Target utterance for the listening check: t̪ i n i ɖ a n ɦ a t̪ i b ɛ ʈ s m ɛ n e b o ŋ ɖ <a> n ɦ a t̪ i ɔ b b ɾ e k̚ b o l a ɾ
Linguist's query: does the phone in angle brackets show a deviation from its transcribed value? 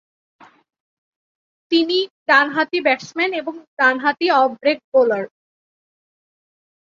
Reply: no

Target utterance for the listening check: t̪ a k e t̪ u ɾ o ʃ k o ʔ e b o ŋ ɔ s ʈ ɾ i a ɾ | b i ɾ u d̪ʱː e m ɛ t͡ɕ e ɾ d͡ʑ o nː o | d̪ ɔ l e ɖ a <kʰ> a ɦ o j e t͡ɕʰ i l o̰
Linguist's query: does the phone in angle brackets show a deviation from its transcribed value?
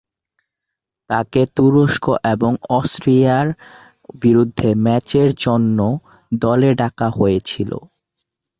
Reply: yes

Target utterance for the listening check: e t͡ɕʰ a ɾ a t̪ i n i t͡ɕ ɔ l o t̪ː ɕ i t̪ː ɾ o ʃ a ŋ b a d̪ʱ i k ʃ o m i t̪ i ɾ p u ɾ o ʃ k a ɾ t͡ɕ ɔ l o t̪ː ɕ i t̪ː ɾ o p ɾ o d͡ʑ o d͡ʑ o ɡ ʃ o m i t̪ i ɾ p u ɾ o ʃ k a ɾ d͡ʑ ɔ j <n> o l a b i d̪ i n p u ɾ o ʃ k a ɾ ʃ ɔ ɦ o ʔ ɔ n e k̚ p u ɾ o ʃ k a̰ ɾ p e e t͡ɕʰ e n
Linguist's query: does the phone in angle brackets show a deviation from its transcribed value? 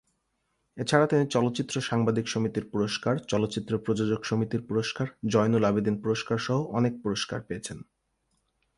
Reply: no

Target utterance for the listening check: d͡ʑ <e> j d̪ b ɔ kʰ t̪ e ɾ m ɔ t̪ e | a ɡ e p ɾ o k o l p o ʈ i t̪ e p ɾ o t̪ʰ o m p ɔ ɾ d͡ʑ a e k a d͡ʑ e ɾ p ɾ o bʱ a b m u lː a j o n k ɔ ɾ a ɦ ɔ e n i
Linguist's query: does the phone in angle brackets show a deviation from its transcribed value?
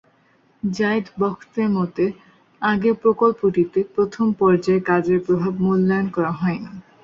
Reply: yes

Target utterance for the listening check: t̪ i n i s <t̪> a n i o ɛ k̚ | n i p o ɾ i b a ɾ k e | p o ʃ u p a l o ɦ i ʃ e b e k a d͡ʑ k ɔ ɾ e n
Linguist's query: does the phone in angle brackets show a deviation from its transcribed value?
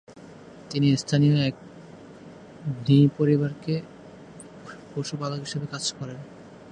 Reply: yes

